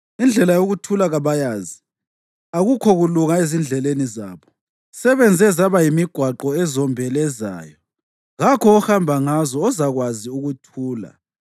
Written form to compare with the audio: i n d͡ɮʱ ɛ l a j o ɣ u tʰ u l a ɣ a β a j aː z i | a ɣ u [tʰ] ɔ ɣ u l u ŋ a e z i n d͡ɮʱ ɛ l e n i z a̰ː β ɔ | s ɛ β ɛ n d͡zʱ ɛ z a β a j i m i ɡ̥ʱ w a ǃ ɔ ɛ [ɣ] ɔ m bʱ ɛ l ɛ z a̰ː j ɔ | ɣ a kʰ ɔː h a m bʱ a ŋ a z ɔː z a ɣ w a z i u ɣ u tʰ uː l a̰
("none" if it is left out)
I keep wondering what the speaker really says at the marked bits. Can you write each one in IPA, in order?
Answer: kʰ, z

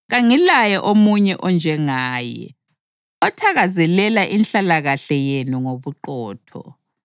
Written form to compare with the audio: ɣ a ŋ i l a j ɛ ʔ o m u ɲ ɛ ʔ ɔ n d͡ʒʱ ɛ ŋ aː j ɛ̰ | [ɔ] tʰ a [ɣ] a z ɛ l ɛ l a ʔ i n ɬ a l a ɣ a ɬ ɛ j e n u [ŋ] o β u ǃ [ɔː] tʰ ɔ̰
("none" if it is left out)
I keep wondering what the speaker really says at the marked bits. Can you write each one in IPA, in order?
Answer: ɔ, ɣ, ŋ, ɔː

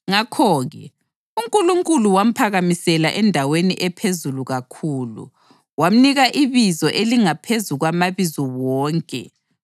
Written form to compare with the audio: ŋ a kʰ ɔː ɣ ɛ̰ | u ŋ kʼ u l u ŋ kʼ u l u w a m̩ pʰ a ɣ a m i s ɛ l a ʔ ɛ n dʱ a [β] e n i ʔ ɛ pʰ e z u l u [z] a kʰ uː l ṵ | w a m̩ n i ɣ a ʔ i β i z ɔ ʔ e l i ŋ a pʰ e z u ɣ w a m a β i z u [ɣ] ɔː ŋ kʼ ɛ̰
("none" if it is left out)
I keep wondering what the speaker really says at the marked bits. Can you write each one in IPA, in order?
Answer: w, ɣ, w

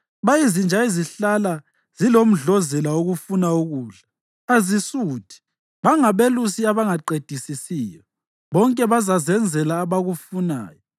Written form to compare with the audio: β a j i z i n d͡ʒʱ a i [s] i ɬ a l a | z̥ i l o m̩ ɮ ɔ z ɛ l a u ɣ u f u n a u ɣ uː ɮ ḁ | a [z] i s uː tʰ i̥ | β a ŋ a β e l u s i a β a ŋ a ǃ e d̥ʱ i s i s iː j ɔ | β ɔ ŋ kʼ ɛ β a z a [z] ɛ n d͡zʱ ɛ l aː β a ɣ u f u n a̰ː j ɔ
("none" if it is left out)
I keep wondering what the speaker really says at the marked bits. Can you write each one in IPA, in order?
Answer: z, z, z

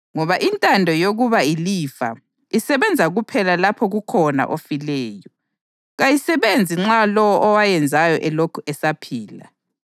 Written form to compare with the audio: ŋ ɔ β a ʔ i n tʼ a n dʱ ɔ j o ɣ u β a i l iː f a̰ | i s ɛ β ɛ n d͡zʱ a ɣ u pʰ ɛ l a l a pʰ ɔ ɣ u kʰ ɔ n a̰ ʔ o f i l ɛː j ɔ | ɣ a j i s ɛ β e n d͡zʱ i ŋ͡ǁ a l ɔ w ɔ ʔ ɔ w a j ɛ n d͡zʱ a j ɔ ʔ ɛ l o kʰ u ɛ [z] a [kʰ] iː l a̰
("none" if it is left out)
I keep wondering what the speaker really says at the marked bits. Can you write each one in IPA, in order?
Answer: s, pʰ

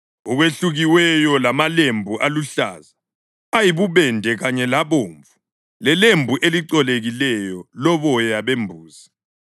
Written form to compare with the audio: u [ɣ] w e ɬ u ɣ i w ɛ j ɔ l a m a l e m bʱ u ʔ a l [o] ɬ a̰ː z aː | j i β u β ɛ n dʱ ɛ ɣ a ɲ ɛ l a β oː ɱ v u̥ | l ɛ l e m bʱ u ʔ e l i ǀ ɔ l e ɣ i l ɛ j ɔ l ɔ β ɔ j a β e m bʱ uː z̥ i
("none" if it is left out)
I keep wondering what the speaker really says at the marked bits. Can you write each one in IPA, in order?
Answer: ɣ, u

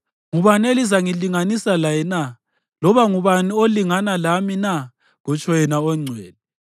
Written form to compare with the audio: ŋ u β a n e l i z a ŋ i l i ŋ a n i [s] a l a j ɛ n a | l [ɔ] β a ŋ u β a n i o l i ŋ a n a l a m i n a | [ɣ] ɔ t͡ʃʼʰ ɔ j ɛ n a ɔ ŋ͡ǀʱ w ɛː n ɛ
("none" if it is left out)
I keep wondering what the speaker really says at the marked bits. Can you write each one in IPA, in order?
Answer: s, ɔ, ɣ

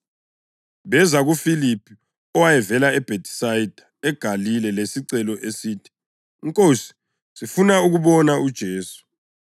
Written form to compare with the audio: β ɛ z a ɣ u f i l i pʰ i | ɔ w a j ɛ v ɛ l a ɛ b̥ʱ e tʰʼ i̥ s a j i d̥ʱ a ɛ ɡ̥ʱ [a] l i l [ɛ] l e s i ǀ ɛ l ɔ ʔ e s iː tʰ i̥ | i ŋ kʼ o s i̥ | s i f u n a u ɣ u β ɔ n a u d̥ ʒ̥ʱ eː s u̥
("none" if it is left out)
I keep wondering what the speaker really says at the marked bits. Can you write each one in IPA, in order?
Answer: a, ɛ

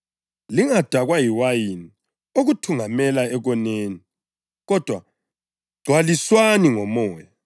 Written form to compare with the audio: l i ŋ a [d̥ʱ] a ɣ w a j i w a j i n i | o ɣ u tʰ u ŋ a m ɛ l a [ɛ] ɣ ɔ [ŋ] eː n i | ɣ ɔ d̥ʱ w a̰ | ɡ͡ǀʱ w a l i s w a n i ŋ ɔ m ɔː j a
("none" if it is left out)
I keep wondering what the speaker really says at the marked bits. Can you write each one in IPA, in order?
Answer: d̥ʱ, ɛ, n

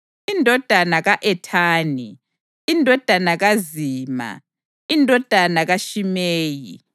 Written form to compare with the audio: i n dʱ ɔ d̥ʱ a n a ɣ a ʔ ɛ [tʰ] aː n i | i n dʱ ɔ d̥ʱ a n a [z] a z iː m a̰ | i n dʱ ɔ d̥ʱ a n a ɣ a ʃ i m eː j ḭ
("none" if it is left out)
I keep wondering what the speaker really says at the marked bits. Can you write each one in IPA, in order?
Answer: tʰ, ɣ

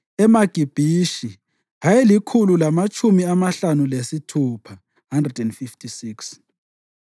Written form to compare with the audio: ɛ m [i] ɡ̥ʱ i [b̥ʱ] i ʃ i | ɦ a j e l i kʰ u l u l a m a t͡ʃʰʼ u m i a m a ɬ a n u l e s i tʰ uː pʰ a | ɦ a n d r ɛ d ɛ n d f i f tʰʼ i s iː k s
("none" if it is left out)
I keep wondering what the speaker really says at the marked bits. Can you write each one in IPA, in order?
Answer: a, b̥ʱ

